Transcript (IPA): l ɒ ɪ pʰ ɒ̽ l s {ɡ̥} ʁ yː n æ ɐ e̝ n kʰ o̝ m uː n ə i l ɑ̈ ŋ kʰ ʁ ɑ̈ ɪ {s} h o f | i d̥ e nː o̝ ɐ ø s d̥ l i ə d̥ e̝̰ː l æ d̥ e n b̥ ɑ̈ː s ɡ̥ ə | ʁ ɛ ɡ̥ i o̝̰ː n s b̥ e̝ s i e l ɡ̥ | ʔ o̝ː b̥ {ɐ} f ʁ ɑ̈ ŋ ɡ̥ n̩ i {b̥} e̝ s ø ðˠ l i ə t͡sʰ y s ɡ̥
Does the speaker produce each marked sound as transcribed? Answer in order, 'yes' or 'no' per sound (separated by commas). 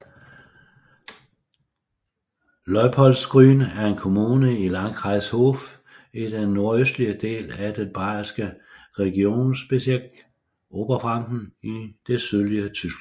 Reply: yes, yes, yes, no